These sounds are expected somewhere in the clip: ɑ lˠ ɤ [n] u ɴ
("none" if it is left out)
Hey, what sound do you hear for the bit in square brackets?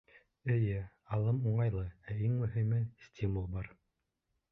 m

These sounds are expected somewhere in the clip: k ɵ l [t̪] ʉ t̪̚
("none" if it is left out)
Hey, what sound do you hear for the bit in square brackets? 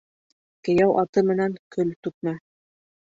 t̪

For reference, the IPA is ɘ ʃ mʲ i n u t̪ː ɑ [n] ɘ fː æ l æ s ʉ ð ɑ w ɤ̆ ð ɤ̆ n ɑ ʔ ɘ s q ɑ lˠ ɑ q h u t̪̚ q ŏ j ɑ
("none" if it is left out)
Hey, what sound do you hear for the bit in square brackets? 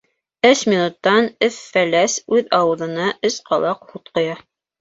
n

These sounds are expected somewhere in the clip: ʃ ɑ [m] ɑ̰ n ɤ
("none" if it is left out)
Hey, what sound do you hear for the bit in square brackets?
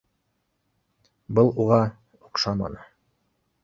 m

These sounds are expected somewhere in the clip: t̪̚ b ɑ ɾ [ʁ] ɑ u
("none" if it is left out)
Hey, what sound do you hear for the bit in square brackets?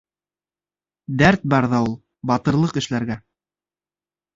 ð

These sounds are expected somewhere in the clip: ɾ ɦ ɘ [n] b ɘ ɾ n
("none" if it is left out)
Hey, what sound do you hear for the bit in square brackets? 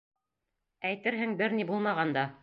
ŋ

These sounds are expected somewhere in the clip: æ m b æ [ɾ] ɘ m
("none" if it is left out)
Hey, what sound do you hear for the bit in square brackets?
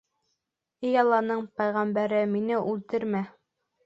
ɾ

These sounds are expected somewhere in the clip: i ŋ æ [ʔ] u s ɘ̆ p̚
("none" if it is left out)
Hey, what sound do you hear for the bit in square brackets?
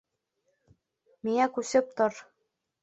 k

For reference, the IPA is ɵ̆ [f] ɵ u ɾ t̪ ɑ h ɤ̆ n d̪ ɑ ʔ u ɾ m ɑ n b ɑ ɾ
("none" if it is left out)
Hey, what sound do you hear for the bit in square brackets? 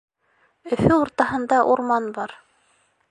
f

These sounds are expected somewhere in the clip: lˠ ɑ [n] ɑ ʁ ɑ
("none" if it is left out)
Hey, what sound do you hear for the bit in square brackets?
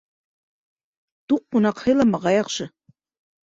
m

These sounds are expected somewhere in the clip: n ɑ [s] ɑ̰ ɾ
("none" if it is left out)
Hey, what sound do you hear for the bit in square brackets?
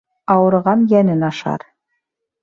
ʃ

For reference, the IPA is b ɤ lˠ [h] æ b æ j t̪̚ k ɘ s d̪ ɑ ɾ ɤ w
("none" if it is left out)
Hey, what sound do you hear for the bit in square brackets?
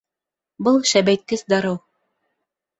ʃ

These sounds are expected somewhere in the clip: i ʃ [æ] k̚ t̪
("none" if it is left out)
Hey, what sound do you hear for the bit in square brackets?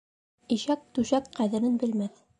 æ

